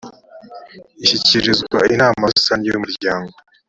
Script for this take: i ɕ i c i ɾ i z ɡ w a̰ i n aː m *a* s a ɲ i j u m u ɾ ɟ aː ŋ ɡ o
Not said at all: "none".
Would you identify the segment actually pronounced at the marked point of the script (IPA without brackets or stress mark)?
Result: a